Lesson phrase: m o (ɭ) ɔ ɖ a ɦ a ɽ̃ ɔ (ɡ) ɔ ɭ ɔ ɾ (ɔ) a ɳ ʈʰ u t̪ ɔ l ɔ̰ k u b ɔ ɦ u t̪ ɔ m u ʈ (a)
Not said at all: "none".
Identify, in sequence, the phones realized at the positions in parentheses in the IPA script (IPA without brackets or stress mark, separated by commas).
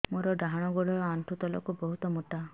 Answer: ɾ, ɡ, ɔ, a